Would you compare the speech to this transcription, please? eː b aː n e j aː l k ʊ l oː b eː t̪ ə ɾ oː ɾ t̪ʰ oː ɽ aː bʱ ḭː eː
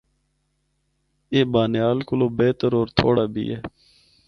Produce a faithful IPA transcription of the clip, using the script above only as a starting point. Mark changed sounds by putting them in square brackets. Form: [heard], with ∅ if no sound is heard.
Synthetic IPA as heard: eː b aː n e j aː l k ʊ l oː b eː t̪ ə ɾ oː ɾ t̪ʰ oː ɽ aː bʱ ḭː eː